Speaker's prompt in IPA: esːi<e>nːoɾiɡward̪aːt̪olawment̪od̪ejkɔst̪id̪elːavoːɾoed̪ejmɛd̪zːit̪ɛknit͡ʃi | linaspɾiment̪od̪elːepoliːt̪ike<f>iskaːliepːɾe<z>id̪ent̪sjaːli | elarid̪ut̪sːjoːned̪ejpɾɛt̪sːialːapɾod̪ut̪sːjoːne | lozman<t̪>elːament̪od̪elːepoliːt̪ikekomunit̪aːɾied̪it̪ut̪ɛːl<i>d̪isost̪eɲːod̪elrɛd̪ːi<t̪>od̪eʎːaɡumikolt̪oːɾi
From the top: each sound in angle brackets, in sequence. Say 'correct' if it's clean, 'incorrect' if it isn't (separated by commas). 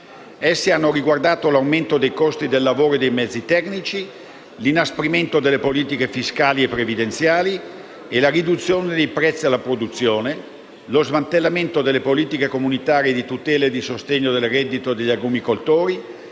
incorrect, correct, incorrect, correct, incorrect, correct